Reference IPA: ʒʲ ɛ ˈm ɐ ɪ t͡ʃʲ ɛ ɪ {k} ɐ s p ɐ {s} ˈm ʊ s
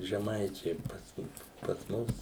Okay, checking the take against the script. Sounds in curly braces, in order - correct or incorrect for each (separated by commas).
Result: incorrect, correct